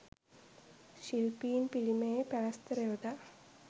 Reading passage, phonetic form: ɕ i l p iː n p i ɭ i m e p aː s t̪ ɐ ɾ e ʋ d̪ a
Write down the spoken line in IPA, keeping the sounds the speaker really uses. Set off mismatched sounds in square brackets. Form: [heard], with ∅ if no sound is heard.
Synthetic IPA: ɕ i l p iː n p i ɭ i m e p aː s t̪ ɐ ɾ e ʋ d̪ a